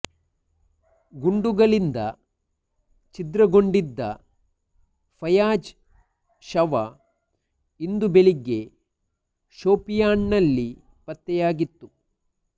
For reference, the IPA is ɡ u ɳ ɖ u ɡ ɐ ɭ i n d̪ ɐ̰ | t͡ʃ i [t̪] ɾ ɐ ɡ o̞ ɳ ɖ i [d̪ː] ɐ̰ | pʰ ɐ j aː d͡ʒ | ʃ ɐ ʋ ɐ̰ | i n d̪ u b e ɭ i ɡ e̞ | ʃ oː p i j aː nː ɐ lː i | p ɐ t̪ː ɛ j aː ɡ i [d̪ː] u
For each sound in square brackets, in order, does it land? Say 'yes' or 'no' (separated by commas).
no, yes, no